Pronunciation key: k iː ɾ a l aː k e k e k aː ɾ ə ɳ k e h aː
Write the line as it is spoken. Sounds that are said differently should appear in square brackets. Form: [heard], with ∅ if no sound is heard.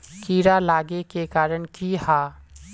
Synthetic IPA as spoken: k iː ɾ a l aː [ɡ] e k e k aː ɾ ə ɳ k [i] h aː